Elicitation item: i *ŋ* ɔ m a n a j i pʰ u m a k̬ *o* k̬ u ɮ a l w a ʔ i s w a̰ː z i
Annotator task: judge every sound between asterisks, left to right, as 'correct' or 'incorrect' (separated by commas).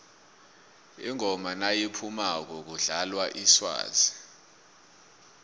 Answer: correct, incorrect